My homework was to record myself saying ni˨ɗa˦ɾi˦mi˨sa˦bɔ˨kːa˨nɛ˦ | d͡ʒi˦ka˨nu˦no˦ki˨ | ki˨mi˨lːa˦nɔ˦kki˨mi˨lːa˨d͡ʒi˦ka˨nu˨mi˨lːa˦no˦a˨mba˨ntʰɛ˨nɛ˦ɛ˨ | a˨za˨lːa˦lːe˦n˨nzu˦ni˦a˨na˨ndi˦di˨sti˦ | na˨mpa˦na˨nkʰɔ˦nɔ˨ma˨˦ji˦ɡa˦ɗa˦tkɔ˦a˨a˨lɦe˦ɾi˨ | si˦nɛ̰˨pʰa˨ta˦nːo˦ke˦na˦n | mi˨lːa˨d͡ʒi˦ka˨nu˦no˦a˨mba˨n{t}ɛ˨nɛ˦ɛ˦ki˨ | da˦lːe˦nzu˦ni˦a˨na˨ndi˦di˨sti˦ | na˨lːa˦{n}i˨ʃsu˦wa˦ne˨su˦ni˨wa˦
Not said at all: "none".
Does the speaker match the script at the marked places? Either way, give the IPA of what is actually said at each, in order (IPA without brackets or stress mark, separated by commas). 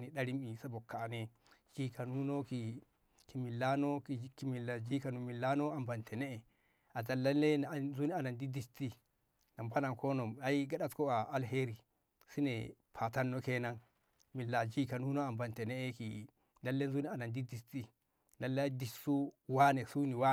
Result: t, d